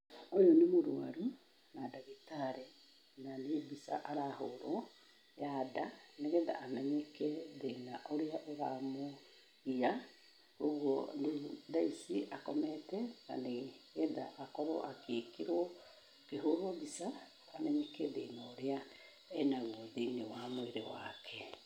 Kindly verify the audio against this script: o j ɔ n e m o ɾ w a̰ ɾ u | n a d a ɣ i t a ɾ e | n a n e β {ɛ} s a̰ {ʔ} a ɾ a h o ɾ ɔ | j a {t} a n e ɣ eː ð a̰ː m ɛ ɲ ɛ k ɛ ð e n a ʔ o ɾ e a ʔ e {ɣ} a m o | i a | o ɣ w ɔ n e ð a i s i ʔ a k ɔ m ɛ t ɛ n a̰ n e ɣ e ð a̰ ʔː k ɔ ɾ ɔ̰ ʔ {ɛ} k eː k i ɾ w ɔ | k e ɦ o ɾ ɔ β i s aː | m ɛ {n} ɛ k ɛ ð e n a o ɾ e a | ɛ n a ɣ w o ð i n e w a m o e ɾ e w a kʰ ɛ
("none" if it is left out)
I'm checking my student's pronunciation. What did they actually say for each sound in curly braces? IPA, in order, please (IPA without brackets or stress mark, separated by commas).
i, ʔ, d, ɣ, a, ɲ